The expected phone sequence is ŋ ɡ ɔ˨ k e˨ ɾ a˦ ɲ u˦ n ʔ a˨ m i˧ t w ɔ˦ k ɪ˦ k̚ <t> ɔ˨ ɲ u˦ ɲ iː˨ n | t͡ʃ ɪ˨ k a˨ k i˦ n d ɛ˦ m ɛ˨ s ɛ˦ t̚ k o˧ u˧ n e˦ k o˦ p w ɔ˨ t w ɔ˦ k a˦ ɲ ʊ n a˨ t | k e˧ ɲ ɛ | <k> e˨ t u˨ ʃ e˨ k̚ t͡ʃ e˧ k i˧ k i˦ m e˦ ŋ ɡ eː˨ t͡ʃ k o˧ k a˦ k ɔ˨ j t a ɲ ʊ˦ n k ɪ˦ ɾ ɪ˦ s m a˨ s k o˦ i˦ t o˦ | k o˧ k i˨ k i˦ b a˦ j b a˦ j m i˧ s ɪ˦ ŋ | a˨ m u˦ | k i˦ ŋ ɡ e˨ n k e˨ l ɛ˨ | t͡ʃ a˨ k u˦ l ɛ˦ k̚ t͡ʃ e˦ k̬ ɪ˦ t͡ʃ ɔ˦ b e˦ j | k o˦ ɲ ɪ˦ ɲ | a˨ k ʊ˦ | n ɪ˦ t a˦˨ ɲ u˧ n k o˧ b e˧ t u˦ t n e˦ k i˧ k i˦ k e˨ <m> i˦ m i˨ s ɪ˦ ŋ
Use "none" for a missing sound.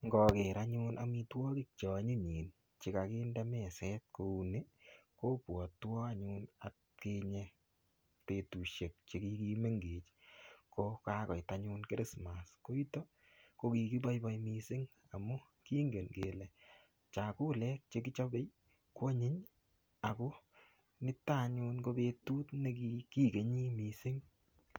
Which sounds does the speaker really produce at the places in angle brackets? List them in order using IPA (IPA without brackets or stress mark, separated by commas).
t͡ʃ, p, ɲ